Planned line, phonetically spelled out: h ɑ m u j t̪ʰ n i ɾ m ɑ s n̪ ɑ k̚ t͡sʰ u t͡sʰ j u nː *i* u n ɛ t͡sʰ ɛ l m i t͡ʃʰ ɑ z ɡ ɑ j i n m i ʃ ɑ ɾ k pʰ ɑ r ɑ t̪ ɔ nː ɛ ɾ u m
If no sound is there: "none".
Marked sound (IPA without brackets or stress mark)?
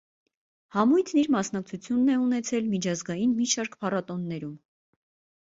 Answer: ɛ